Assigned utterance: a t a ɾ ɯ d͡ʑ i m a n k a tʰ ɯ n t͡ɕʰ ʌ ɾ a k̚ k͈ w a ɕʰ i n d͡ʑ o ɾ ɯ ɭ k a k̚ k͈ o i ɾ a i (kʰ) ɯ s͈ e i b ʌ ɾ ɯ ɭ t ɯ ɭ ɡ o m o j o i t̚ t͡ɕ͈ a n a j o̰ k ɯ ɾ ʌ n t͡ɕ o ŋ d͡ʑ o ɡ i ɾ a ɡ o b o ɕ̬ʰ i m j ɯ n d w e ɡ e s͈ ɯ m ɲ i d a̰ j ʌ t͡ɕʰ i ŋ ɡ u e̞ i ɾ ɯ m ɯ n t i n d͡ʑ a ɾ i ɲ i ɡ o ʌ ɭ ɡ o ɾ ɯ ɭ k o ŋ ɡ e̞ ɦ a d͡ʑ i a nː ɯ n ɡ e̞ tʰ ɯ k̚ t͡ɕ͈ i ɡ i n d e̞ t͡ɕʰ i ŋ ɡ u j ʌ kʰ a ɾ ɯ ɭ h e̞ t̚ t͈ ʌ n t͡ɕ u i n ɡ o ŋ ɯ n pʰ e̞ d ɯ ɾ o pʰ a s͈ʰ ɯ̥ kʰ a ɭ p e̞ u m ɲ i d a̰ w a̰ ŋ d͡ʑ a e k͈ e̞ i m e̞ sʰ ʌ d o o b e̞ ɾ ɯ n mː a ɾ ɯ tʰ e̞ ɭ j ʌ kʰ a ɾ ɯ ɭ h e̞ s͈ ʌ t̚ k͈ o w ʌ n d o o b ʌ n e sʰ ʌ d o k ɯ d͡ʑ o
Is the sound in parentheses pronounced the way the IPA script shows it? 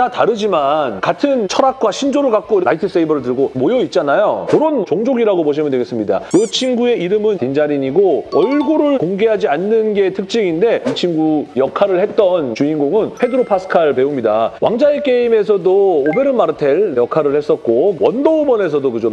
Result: no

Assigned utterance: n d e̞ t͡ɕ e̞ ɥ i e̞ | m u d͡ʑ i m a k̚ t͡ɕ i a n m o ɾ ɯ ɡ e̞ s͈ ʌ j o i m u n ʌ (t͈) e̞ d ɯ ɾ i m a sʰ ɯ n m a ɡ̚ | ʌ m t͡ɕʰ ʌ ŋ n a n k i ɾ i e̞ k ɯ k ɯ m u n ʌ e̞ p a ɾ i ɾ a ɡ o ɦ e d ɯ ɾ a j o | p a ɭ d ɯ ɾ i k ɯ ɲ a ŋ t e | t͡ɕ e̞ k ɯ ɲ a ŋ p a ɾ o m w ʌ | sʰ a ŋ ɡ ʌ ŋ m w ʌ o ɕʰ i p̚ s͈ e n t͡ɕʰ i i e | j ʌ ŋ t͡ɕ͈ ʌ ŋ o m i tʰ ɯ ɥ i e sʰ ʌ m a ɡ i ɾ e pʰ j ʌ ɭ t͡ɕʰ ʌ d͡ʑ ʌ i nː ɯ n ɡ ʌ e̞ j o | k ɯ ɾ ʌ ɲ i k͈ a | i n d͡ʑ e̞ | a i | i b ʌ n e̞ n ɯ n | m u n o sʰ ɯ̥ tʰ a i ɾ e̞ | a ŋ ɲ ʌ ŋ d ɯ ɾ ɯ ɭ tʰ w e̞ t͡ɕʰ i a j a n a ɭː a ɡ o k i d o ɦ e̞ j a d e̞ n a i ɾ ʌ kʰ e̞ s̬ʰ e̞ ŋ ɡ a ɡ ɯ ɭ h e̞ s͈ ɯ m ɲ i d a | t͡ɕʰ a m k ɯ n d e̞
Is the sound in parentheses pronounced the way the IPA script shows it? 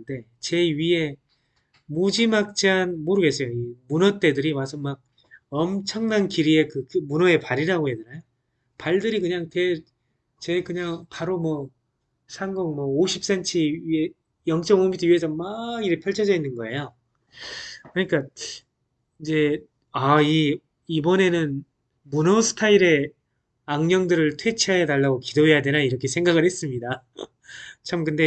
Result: yes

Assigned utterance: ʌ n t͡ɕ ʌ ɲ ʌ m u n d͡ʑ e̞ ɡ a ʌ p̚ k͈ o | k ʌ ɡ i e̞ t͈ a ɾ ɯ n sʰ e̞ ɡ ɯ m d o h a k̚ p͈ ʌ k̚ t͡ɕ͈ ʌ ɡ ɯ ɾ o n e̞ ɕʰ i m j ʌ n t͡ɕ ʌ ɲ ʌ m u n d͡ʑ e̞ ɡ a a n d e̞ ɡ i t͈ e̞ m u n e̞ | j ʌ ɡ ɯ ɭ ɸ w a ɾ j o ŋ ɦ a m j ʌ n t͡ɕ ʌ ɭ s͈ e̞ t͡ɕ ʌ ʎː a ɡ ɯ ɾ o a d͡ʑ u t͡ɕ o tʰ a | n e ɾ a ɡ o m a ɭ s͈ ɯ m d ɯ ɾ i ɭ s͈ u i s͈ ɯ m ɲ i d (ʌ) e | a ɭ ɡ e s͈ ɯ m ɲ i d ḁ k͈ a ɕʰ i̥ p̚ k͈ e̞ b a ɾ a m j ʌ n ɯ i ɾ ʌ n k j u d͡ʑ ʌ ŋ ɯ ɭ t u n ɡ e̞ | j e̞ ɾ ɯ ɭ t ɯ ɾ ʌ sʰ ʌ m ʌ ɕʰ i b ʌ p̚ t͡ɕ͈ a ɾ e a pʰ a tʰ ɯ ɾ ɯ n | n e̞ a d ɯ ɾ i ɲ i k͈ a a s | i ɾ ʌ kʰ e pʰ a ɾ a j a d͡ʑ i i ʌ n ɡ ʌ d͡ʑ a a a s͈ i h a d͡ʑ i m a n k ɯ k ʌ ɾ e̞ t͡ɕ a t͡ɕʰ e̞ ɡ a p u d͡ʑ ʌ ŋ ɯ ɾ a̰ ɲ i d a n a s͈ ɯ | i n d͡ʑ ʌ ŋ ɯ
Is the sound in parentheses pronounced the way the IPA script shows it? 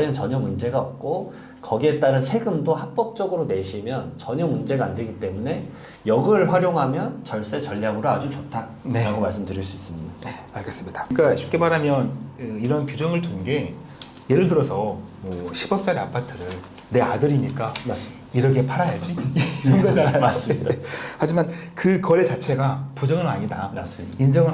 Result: no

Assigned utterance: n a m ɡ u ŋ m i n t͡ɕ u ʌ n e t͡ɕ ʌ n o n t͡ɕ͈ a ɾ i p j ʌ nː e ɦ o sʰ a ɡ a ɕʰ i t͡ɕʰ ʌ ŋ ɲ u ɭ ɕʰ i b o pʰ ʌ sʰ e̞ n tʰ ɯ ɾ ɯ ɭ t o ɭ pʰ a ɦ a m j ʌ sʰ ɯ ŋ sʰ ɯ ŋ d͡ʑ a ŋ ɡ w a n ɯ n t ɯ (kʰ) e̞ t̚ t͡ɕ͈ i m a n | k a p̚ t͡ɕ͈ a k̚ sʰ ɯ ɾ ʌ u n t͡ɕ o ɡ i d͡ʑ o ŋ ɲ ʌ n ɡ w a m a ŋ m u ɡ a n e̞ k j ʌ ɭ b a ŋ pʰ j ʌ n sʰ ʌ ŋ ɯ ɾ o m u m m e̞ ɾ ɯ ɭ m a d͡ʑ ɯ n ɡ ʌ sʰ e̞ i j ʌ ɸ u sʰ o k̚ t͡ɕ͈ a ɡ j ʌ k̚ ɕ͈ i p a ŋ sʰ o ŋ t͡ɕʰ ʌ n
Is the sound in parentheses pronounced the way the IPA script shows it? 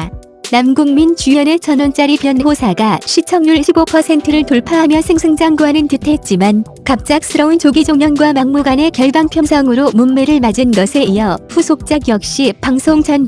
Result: no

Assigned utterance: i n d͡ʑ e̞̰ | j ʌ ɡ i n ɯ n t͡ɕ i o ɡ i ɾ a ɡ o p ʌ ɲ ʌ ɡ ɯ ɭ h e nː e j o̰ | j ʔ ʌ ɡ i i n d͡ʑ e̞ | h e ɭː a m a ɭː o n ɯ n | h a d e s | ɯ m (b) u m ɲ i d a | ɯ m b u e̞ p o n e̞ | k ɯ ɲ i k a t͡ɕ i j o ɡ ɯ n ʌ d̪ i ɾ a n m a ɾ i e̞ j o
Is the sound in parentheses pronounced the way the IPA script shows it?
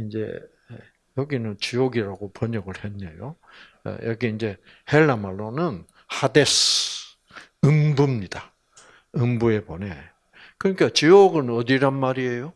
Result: yes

